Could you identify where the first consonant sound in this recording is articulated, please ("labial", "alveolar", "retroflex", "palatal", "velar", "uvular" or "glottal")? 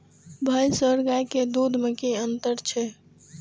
labial